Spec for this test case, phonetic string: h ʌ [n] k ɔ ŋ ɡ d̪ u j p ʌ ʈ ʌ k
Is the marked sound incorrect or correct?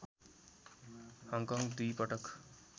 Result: incorrect